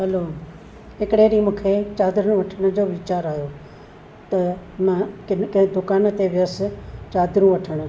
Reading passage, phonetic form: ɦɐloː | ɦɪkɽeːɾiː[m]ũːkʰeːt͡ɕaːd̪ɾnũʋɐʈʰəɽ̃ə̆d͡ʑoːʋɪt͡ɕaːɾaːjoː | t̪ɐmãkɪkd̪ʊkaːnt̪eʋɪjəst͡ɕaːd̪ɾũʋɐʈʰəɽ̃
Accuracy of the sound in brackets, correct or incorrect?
correct